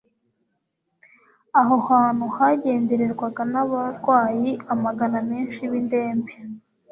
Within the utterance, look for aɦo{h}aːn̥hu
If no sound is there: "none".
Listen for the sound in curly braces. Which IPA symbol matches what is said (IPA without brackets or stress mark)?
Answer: h